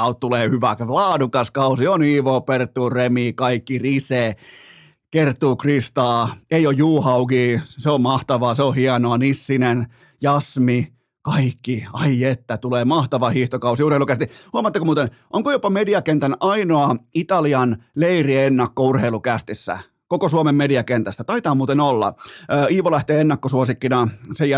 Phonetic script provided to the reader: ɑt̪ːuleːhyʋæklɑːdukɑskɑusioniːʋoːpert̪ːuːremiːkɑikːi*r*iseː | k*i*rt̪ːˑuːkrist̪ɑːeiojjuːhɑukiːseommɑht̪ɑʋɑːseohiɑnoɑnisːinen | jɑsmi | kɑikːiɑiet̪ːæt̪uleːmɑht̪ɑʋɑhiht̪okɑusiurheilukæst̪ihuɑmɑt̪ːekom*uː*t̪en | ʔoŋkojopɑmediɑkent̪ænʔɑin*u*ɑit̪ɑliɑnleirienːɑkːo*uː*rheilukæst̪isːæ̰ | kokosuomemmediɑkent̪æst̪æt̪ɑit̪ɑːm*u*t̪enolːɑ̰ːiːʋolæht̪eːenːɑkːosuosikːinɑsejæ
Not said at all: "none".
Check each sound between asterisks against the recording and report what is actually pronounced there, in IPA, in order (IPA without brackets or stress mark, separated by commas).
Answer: r, e, uː, o, u, uː